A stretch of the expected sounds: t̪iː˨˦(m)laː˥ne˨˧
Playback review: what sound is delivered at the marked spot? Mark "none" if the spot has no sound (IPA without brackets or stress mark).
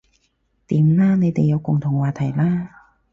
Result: m